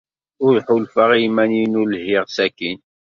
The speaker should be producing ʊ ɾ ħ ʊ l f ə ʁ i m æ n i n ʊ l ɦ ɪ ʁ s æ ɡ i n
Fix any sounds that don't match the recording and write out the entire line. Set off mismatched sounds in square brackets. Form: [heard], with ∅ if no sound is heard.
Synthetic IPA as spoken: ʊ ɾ ħ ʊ l f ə ʁ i m æ n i n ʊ l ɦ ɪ ʁ s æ [k] i n